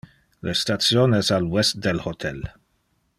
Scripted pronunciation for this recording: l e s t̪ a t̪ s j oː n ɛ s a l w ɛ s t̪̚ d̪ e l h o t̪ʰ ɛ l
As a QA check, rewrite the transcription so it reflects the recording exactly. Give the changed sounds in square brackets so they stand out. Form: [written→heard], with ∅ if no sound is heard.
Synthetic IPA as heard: l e s t̪ a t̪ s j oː n ɛ s a l w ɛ s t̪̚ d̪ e l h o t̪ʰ ɛ l